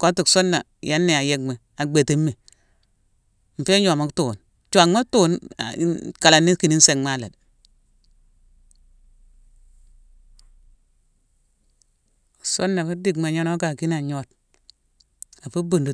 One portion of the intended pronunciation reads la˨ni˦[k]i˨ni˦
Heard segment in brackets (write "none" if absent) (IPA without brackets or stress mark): k